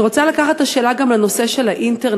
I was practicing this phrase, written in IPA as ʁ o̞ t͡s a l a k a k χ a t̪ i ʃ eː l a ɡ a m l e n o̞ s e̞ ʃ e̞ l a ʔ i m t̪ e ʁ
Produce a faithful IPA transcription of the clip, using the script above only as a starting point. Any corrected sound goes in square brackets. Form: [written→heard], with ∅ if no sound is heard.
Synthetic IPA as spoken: ʁ o̞ t͡s a l a k a [k→∅] χ a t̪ [i→a] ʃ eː l a ɡ a m l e n o̞ s e̞ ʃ e̞ l a ʔ i [m→n] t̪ e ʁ